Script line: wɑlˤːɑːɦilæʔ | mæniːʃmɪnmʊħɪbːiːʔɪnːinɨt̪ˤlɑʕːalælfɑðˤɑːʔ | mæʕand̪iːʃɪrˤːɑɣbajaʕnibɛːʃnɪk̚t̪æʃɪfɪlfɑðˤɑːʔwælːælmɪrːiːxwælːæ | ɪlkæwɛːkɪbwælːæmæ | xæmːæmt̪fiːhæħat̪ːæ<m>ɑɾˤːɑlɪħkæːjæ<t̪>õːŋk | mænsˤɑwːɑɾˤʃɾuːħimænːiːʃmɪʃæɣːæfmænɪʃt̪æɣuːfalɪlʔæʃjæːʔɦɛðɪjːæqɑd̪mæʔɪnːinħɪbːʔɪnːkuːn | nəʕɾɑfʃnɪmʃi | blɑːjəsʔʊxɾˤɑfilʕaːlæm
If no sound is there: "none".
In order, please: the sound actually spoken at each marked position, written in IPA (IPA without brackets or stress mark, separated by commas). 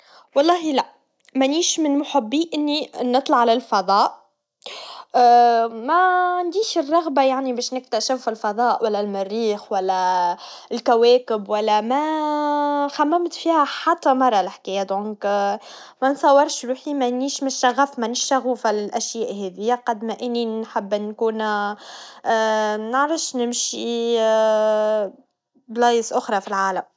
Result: m, d̪